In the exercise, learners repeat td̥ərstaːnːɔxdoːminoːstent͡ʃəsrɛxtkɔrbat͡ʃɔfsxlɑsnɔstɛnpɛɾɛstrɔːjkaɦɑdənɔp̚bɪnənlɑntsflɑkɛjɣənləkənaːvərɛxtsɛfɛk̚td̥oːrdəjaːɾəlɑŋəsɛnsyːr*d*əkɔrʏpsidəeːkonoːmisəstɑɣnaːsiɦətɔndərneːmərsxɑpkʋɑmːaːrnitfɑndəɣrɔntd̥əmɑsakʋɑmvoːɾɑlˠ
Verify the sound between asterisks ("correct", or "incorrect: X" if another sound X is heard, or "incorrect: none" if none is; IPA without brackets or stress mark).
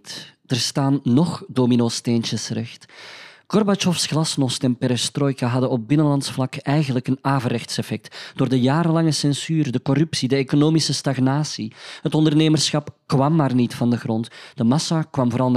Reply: correct